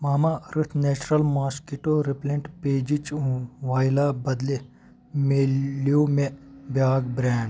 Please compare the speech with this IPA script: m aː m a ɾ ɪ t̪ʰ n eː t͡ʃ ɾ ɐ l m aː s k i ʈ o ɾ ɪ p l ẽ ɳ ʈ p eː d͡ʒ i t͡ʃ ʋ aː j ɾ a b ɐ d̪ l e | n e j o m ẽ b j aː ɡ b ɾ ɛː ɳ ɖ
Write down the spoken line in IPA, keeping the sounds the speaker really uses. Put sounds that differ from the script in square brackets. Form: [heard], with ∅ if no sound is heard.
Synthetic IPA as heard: m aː m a ɾ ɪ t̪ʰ n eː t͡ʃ ɾ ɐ l m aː s k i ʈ o ɾ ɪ p l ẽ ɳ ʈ p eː d͡ʒ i t͡ʃ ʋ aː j [l] a b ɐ d̪ l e | [m] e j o m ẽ b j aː ɡ b ɾ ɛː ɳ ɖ